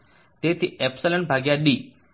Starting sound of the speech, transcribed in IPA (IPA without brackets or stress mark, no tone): t̪